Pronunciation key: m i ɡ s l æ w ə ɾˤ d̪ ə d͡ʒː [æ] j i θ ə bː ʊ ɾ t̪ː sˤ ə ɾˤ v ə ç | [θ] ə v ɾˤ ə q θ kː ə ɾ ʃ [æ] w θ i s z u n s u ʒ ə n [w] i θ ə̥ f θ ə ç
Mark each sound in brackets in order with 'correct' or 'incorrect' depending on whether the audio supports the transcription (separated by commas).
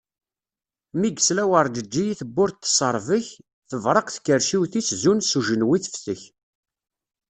incorrect, correct, incorrect, correct